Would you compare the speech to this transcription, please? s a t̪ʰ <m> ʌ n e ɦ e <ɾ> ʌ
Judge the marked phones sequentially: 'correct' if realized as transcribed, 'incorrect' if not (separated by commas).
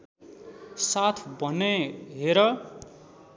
incorrect, correct